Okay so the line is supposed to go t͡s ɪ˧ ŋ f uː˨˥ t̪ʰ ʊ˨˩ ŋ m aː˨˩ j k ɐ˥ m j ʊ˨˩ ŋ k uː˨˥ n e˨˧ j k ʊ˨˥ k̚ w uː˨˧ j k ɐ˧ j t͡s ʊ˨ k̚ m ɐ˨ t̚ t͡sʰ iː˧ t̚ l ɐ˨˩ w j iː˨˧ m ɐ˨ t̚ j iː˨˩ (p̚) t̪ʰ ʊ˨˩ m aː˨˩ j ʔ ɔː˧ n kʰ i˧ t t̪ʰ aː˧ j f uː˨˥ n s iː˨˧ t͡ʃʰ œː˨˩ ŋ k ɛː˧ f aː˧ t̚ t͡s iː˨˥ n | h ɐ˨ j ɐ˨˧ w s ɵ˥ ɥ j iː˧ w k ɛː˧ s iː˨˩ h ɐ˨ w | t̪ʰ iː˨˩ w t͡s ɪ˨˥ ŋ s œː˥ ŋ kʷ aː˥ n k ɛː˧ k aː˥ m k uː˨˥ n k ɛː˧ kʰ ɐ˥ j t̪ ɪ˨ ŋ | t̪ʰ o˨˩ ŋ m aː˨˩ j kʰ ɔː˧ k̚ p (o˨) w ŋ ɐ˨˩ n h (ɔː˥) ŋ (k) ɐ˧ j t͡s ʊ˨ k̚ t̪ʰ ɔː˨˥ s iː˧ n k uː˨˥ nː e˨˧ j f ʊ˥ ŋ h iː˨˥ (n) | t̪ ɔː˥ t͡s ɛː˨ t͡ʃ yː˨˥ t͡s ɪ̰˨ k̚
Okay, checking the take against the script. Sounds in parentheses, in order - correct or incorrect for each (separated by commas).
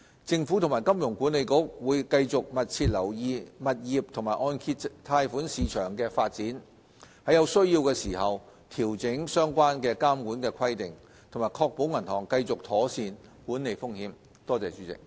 correct, incorrect, incorrect, correct, incorrect